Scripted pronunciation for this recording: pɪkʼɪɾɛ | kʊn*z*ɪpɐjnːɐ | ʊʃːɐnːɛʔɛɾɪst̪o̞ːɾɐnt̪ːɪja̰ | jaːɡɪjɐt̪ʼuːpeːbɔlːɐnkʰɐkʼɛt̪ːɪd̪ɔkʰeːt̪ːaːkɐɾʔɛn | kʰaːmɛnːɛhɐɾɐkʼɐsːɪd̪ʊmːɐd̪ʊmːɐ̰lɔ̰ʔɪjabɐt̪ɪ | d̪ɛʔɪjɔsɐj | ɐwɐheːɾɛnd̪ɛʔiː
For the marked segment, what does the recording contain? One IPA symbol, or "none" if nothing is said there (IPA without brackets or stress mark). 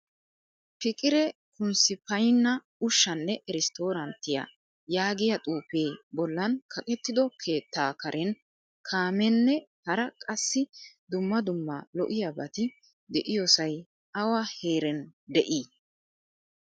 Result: s